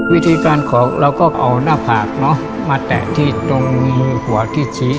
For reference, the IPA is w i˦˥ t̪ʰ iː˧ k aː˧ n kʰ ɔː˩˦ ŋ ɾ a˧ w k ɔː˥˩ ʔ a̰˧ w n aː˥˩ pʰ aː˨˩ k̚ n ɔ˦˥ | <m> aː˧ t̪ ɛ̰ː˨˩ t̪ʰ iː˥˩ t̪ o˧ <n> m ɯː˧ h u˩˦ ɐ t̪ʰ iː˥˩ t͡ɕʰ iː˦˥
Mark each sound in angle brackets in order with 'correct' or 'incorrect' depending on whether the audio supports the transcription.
correct, incorrect

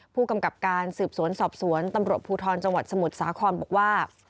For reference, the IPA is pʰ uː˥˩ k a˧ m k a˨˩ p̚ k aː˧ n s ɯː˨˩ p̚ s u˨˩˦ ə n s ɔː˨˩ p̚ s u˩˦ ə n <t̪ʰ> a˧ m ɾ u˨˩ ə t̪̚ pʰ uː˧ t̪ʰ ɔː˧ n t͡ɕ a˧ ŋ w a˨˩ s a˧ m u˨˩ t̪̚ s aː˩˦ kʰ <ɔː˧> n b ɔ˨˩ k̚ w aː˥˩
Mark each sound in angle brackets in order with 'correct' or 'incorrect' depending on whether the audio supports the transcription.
incorrect, correct

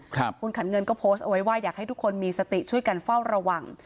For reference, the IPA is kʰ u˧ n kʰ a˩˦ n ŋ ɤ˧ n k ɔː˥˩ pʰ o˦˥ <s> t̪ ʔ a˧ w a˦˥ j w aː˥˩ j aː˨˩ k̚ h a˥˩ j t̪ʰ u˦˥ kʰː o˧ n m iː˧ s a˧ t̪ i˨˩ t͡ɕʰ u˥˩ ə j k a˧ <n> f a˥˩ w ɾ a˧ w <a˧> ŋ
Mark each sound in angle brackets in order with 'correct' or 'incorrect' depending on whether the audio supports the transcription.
correct, correct, incorrect

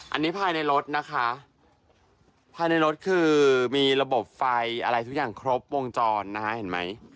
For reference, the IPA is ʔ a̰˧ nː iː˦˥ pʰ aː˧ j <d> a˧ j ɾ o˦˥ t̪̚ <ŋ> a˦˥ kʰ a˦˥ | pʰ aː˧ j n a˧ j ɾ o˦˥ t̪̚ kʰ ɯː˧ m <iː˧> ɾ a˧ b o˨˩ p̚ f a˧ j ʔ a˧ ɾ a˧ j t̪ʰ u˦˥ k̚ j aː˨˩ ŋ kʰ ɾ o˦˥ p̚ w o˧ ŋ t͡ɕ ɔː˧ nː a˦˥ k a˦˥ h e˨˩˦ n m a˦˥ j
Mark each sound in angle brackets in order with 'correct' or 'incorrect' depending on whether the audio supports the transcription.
incorrect, incorrect, correct

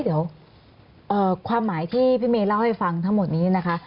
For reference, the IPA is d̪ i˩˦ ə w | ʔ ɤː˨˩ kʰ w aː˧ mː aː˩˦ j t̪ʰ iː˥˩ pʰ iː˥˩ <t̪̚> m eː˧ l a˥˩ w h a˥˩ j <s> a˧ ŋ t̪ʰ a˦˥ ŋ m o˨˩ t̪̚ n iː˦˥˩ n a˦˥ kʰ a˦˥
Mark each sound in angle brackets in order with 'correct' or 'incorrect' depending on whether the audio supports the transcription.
incorrect, incorrect

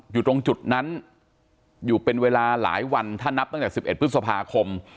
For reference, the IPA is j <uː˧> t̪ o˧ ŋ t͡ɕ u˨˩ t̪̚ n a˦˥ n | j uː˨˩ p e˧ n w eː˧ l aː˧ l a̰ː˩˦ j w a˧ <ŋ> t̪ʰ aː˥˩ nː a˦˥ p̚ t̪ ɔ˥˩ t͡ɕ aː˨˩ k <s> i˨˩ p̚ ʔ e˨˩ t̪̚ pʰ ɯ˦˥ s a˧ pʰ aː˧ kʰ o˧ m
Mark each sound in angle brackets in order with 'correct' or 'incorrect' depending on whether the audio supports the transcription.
incorrect, incorrect, correct

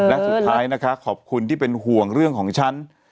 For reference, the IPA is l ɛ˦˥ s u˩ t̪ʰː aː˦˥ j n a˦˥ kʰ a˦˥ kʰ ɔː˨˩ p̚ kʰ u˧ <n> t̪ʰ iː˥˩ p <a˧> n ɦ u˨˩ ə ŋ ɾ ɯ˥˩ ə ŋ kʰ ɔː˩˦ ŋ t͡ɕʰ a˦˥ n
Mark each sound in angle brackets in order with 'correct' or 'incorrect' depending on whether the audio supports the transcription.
correct, incorrect

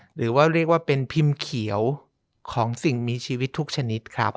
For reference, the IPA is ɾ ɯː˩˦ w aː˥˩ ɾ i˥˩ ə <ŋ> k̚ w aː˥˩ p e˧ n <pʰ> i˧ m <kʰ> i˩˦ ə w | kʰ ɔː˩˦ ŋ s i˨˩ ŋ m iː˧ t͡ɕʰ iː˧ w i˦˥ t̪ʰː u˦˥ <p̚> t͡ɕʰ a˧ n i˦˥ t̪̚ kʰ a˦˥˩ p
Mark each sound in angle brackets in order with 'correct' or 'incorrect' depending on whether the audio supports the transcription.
incorrect, correct, correct, incorrect

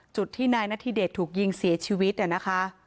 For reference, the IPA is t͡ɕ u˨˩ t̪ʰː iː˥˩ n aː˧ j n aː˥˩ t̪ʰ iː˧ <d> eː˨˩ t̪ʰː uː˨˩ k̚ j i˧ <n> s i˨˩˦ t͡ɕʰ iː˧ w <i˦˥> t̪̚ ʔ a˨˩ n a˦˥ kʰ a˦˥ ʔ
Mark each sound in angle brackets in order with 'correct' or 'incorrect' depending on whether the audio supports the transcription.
correct, incorrect, correct

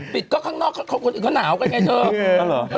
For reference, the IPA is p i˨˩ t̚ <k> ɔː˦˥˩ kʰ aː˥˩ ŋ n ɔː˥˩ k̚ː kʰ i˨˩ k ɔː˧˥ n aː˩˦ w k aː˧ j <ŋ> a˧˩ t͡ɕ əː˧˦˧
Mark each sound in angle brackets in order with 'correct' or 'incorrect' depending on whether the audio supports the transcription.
correct, correct

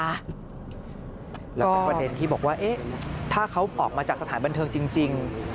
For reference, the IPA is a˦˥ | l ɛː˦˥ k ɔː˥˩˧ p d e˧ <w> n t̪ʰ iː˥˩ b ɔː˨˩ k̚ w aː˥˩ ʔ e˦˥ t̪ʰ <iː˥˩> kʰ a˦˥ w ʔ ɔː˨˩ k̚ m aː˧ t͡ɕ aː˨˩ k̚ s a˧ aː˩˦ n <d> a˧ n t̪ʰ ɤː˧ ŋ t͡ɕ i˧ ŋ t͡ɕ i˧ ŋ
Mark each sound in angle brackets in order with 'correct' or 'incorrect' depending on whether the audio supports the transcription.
incorrect, incorrect, incorrect

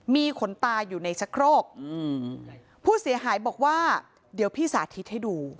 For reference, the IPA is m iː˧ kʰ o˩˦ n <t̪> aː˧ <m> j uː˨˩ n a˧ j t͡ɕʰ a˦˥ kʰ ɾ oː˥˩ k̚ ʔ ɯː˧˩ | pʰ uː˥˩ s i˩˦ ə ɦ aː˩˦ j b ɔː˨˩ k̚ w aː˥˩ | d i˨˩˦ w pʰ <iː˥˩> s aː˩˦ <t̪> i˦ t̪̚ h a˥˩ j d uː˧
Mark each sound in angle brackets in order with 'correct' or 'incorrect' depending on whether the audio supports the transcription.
correct, incorrect, correct, incorrect

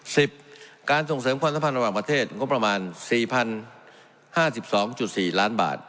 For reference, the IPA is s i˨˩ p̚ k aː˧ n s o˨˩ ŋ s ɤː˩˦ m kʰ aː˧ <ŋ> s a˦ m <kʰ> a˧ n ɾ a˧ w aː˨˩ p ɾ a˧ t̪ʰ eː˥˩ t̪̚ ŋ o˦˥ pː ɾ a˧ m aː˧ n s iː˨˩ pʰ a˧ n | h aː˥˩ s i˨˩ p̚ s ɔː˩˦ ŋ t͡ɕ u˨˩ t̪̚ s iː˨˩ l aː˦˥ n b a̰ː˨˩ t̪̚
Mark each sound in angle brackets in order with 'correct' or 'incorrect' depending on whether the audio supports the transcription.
incorrect, incorrect

